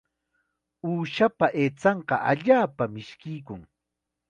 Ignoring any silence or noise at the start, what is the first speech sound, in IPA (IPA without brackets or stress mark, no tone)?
uː